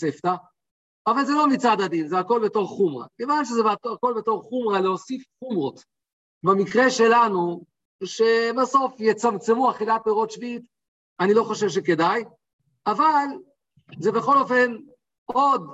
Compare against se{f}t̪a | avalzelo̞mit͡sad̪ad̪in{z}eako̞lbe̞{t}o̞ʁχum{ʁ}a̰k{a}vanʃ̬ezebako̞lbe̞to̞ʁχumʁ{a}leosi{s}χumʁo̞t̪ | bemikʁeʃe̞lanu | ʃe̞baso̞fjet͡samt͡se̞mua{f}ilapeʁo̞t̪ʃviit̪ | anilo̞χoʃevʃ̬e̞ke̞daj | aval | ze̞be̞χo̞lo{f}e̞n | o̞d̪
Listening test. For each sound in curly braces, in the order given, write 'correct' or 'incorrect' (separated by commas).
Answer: correct, correct, correct, correct, incorrect, correct, incorrect, incorrect, correct